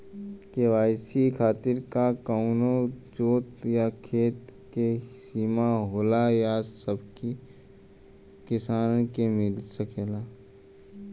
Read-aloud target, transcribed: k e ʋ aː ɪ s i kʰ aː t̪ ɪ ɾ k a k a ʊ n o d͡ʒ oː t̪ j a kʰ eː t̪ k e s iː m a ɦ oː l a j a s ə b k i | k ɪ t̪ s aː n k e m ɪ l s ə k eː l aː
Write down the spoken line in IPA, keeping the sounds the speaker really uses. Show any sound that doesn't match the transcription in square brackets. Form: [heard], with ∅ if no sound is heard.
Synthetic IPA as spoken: k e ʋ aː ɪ s i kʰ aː t̪ ɪ ɾ k a k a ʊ n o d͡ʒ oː t̪ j a kʰ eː t̪ k e s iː m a ɦ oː l a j a s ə b k i | k ɪ [∅] s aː n k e m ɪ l s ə k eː l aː